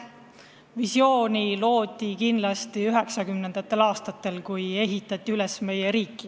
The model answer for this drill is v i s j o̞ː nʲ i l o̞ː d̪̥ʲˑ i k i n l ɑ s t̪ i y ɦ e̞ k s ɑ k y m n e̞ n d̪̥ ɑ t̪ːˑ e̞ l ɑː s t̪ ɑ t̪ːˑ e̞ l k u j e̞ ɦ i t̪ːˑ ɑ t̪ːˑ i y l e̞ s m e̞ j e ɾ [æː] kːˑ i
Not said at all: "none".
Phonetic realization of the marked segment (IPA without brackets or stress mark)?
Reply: iː